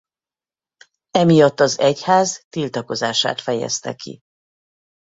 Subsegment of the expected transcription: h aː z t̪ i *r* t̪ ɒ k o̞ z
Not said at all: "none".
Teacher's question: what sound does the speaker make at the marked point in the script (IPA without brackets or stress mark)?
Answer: l